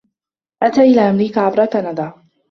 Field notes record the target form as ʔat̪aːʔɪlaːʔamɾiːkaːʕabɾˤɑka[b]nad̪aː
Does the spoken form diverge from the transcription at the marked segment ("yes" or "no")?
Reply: yes